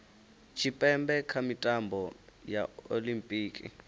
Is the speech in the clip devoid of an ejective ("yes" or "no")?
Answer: no